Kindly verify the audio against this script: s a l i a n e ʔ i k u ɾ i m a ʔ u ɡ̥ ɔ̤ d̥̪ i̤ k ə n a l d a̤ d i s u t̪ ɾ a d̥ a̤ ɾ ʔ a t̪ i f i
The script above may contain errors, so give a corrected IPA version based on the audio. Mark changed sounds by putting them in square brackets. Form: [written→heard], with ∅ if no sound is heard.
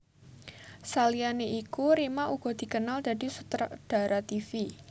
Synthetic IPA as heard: s a l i a n e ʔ i k u ɾ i m a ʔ u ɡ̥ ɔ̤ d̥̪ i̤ k ə n a l d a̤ d i s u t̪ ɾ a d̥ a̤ ɾ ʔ a t̪ i f i